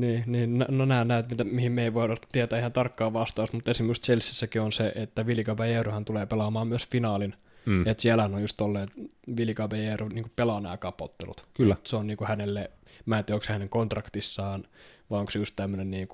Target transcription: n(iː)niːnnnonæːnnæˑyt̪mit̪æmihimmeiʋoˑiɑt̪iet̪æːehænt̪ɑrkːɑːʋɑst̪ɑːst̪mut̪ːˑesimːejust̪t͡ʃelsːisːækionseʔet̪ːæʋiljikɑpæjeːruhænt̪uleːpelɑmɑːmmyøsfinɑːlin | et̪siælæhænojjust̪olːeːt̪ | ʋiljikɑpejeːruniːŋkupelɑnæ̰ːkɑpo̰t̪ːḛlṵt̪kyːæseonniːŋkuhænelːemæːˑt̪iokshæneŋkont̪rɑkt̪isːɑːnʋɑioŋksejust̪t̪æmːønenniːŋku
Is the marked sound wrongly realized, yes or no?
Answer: no